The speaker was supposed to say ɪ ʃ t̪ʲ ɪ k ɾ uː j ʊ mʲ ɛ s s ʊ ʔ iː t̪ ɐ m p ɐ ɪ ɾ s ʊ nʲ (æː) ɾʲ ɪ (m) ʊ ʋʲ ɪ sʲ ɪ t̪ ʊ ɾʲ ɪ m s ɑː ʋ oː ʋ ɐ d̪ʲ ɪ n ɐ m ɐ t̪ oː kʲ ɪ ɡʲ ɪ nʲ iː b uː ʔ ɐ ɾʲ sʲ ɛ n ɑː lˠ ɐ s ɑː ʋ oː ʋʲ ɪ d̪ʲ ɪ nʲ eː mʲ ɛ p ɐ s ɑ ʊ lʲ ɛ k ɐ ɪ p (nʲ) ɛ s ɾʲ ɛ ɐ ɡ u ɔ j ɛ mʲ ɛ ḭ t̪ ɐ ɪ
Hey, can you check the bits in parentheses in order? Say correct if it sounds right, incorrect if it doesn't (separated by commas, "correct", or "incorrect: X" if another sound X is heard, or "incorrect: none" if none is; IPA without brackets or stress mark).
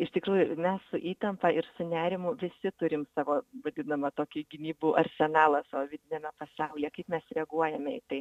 correct, correct, incorrect: mʲ